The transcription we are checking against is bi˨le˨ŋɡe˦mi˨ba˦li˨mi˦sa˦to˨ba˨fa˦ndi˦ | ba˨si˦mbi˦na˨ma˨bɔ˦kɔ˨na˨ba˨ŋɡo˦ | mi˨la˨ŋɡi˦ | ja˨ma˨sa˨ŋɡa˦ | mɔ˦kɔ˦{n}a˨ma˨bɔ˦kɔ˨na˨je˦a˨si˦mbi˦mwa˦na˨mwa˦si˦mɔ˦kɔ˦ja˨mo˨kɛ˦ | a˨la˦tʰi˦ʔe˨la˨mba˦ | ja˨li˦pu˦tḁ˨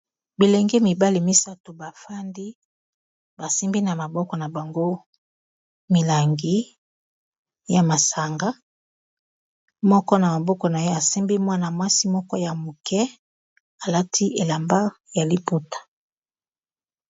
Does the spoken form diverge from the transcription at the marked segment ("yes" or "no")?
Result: no